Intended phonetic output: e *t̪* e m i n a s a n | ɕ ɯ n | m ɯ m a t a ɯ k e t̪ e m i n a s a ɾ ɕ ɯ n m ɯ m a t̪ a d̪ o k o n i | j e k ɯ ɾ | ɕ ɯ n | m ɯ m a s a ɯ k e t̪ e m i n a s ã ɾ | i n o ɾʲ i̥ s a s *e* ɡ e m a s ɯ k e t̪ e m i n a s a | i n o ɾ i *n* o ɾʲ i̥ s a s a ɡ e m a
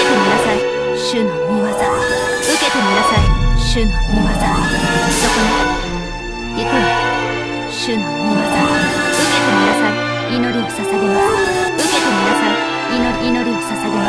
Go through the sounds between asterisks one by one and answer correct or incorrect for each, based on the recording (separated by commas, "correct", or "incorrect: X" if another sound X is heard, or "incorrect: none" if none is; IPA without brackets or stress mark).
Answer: correct, incorrect: a, correct